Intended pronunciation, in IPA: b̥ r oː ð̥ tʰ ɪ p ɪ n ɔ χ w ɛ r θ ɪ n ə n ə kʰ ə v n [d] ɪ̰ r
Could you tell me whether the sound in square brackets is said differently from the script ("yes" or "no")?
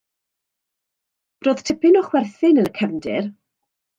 no